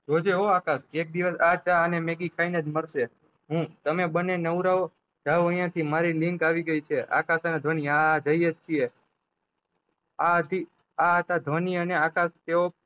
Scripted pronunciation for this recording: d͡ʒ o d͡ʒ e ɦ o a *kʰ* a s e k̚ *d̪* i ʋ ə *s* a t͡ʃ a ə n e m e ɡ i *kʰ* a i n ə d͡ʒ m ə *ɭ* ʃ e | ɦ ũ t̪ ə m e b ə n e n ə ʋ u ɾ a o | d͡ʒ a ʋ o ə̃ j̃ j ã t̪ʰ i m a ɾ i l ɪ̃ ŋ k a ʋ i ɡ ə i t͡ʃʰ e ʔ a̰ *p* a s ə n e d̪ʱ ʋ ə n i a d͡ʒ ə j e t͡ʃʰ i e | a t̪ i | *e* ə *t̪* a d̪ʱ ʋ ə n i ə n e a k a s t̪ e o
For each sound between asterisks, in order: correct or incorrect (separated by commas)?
incorrect, correct, correct, correct, incorrect, incorrect, incorrect, correct